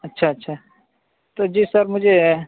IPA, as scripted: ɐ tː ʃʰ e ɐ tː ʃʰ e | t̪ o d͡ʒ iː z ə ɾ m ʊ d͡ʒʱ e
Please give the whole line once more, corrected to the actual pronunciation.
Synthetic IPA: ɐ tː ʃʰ a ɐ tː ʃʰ a | t̪ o d͡ʒ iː s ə ɾ m ʊ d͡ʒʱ e